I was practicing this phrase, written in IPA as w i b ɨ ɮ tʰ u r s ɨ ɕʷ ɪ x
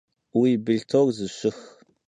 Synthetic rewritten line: w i b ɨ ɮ tʰ o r z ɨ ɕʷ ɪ x